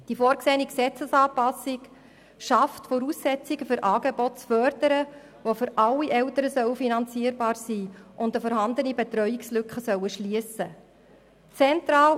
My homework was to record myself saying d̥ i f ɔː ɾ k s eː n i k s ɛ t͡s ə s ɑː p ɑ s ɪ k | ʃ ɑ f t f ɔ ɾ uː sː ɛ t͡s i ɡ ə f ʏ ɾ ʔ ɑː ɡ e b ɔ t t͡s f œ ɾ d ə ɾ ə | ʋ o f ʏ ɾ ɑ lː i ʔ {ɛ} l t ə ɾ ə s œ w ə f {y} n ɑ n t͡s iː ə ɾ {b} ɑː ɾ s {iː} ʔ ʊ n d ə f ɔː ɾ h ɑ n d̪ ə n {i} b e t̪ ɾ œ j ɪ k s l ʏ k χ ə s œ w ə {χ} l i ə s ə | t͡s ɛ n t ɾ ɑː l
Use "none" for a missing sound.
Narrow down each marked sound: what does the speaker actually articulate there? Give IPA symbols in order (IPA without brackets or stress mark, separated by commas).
ɛ, i, b, iː, i, ʃ